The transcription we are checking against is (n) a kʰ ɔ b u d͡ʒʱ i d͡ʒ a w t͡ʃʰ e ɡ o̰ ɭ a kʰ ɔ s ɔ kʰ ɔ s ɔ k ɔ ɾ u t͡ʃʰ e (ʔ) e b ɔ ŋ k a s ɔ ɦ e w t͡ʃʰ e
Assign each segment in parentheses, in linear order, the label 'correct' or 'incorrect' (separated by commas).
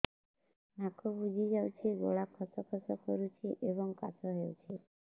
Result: correct, correct